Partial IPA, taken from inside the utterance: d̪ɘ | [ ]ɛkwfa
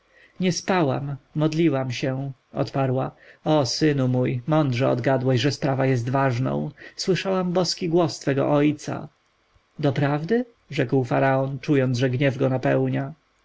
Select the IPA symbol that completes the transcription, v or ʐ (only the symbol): ʐ